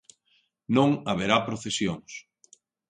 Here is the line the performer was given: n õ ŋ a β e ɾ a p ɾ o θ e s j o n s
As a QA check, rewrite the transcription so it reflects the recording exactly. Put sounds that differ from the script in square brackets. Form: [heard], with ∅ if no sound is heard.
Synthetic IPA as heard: n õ ŋ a β e ɾ a p ɾ o θ e s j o [ŋ] s